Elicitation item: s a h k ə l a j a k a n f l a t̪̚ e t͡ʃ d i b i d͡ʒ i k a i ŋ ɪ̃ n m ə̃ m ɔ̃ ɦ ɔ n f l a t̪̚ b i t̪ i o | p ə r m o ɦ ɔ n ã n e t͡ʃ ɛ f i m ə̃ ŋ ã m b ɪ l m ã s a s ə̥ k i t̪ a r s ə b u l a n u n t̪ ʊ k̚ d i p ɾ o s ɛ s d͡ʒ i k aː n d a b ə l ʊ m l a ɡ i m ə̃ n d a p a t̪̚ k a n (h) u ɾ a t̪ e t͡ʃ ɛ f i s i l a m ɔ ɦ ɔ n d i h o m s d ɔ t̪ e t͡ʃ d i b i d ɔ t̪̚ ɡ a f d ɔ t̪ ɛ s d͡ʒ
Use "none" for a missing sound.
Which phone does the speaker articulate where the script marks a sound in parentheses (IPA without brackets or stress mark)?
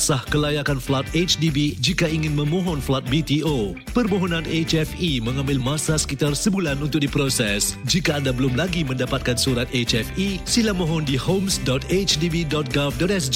s